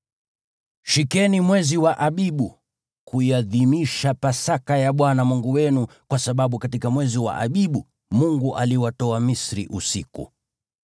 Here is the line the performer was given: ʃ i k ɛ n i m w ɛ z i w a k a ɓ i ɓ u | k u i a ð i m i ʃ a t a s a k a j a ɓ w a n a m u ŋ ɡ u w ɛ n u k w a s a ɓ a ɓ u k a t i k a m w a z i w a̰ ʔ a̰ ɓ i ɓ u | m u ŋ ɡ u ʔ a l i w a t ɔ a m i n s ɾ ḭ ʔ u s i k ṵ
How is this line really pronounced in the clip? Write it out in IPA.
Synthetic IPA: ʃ i k ɛ n i m w ɛ z i w a ʔ a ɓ i ɓ u | k u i a ð i m i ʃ a p a s a k a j a ɓ w a n a m u ŋ ɡ u w ɛ n u k w a s a ɓ a ɓ u k a t i k a m w ɛ z i w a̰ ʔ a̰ ɓ i ɓ u | m u ŋ ɡ u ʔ a l i w a t ɔ a m i s ɾ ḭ ʔ u s i k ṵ